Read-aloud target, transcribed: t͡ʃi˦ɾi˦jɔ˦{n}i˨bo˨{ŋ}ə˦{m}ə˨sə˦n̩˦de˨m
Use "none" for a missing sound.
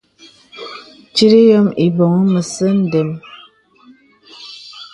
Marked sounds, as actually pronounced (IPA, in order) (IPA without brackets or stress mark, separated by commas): m, ŋ, m